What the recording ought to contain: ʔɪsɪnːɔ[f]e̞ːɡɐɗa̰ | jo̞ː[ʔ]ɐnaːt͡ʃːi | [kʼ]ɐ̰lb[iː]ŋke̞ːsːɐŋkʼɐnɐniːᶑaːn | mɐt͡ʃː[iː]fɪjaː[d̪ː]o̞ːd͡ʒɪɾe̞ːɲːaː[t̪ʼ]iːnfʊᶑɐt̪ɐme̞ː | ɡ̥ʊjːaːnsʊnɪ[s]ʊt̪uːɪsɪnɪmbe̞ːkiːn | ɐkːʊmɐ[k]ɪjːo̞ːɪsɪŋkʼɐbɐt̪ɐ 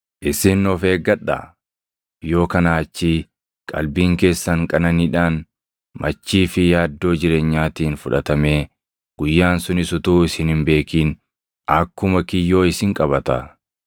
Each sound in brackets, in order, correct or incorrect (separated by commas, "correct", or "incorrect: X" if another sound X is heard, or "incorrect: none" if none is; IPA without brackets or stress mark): correct, incorrect: k, correct, correct, correct, correct, incorrect: t̪, correct, correct